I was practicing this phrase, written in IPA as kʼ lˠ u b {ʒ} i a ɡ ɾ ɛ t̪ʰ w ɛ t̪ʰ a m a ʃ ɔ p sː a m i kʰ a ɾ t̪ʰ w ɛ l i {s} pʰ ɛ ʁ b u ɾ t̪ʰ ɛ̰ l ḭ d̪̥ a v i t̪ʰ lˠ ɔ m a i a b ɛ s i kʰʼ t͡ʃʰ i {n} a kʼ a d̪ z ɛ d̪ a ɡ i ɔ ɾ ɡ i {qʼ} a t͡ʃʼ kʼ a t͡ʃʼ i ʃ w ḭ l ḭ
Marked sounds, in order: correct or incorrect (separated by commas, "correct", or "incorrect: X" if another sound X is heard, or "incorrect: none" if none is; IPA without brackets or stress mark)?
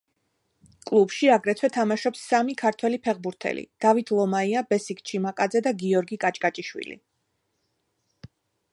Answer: incorrect: ʃ, incorrect: none, incorrect: m, incorrect: kʼ